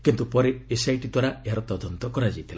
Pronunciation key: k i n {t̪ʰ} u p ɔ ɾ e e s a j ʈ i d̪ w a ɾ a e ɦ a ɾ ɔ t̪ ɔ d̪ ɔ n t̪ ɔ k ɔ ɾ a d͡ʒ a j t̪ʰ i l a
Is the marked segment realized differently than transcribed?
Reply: yes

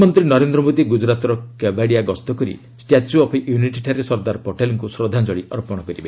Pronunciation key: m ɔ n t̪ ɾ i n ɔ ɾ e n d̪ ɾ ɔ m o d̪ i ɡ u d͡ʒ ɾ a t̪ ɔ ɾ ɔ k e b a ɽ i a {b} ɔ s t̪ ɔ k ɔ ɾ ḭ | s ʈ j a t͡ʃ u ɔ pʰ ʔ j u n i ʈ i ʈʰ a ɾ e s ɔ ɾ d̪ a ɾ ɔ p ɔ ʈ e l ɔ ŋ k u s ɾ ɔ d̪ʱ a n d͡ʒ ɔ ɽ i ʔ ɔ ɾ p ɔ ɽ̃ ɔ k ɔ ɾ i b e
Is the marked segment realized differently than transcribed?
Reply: yes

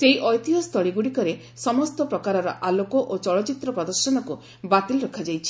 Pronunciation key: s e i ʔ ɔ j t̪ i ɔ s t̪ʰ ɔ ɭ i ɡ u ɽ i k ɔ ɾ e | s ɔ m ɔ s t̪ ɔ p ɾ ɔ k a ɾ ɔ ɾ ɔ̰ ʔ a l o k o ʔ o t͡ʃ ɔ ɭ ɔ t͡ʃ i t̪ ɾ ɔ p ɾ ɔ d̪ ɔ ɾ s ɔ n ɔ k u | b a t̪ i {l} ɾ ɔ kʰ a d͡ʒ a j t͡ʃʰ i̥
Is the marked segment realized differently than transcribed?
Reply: no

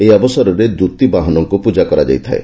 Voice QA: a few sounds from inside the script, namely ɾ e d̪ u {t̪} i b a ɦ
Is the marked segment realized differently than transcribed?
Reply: no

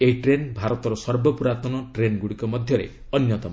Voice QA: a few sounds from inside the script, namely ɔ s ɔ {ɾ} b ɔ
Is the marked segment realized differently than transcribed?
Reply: no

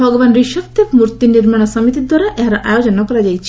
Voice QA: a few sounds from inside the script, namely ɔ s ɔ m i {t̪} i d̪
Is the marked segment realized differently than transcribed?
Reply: no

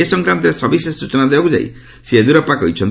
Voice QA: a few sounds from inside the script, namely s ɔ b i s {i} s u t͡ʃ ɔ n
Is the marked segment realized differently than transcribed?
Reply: yes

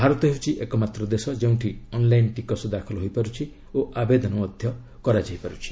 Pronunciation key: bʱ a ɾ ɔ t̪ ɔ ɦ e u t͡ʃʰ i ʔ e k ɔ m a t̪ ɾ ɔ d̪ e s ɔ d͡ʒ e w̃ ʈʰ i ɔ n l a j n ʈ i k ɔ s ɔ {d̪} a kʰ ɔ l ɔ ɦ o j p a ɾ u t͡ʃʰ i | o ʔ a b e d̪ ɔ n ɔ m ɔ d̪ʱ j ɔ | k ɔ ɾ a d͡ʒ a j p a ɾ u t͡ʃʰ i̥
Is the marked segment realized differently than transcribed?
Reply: no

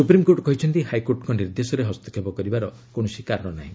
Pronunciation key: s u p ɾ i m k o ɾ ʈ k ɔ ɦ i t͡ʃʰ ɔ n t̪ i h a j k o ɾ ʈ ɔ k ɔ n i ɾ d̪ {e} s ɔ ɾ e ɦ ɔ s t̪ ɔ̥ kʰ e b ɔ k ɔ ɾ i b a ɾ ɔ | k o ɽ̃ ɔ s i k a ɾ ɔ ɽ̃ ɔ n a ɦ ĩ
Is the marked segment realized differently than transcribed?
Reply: no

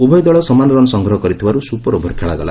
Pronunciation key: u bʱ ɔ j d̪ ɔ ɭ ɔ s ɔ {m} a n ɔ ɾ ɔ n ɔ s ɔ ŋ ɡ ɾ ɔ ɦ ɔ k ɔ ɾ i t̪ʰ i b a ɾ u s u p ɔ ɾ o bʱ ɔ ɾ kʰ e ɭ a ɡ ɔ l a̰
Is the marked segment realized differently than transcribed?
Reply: no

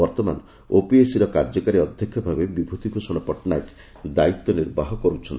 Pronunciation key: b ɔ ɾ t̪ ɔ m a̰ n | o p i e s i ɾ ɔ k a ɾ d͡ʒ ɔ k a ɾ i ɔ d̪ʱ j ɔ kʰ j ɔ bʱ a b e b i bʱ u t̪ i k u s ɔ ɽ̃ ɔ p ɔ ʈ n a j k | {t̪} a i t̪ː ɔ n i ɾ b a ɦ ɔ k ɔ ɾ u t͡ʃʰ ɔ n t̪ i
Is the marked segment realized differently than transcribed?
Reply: yes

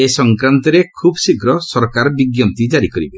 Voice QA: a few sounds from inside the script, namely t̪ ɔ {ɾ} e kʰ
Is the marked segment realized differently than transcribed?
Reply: no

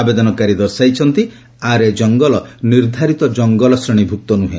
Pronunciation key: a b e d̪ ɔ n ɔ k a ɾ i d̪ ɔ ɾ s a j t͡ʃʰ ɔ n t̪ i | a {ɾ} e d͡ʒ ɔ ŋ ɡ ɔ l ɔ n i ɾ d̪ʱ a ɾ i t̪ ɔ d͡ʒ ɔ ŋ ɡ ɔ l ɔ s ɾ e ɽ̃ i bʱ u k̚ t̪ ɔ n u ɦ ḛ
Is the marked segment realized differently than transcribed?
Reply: no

